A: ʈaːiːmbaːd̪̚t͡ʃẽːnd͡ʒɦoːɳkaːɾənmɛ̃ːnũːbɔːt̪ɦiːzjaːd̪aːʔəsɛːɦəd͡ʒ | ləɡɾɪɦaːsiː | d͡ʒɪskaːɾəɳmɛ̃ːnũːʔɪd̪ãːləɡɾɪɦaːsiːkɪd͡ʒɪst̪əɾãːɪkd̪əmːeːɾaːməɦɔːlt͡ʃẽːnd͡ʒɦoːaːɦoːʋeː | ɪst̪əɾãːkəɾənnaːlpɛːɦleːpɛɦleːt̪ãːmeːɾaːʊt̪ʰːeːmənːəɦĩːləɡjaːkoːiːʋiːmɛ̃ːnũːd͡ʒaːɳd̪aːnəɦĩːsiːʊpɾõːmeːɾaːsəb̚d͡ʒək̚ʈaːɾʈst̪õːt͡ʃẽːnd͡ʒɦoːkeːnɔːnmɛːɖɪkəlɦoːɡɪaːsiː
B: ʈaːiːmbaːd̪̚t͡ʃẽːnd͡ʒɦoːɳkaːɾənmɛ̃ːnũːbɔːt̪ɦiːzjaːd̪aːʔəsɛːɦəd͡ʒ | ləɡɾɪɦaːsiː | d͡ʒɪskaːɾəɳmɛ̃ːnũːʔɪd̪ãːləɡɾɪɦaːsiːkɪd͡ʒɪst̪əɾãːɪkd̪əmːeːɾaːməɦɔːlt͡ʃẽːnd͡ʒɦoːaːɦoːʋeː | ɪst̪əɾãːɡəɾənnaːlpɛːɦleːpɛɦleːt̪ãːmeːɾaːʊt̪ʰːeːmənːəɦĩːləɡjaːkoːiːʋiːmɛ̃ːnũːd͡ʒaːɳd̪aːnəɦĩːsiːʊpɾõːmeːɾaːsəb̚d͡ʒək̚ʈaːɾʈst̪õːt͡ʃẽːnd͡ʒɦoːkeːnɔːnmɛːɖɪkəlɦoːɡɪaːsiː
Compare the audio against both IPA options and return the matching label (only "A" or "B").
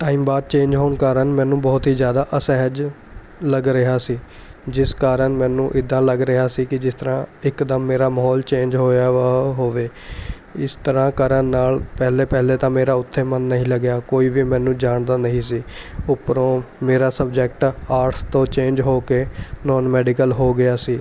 A